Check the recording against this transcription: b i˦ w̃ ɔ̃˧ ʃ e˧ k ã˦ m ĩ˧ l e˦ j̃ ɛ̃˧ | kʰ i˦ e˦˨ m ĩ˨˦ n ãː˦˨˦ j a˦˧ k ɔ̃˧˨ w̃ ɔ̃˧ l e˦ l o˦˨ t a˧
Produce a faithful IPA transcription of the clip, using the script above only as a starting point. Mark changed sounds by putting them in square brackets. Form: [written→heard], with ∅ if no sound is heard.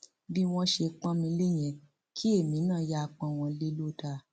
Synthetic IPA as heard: b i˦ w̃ ɔ̃˧ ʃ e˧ [k→k͡p] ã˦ m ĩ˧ l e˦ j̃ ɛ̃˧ | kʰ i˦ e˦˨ m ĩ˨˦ n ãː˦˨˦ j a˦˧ [k→k͡p] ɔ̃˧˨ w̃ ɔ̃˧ l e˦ l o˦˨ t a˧